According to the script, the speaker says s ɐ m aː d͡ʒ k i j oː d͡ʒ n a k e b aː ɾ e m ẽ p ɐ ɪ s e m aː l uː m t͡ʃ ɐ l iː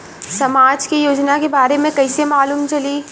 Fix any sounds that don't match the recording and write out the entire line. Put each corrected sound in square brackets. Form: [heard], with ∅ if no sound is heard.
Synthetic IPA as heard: s ɐ m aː d͡ʒ k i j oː d͡ʒ n a k e b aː ɾ e m ẽ [k] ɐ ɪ s e m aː l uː m t͡ʃ ɐ l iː